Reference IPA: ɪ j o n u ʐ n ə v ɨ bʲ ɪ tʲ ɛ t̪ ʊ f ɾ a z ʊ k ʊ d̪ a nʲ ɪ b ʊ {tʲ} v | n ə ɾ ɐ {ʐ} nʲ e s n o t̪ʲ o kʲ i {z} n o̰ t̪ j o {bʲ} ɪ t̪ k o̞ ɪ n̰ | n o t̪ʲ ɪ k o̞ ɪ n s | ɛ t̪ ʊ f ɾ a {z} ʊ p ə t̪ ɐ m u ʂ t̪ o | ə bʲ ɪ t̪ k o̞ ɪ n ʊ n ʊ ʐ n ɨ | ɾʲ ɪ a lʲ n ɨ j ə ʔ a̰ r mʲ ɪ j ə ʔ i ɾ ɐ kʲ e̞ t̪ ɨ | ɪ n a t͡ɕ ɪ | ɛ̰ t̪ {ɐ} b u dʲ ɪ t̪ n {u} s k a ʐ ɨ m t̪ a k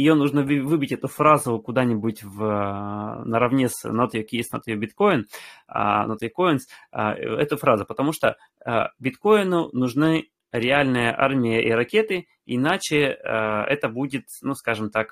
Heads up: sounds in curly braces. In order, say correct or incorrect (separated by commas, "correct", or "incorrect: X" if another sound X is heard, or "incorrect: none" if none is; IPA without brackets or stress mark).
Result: correct, incorrect: v, incorrect: s, correct, correct, incorrect: ə, correct